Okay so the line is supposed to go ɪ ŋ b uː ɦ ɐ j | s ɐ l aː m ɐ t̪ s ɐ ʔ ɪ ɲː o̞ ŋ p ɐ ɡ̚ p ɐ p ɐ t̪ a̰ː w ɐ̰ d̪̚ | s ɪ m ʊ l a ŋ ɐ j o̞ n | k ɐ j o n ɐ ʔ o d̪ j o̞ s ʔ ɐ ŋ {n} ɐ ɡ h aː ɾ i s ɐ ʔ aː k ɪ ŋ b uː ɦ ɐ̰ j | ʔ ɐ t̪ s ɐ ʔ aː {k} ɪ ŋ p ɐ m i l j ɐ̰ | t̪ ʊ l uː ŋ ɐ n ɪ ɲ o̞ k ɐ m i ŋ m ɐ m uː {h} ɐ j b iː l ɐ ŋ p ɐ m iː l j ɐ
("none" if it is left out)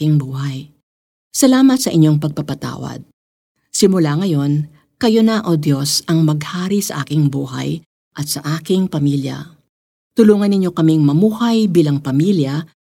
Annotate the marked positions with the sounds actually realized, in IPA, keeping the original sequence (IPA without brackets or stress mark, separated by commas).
m, k, h